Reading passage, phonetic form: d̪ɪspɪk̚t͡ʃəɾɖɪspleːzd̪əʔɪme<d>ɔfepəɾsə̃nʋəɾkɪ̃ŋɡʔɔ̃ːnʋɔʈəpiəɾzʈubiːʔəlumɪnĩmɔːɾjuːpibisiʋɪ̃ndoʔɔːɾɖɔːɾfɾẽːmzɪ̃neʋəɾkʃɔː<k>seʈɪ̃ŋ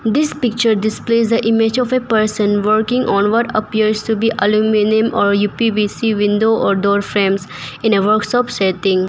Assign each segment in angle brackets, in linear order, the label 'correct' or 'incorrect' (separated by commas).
incorrect, incorrect